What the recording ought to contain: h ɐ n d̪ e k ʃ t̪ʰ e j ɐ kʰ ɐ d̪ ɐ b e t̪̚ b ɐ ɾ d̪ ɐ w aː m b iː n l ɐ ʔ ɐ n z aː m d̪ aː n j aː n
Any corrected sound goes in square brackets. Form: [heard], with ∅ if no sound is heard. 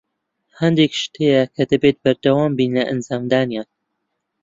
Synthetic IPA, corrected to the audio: h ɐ n d̪ e k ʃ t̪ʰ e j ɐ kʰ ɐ d̪ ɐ b e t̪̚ b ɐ ɾ d̪ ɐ w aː m b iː n l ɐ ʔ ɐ n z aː m d̪ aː n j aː n